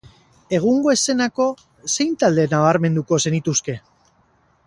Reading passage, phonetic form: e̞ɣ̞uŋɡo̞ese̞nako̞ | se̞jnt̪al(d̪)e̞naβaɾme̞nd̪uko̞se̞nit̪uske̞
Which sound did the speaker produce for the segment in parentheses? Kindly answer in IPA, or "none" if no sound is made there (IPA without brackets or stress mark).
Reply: d̪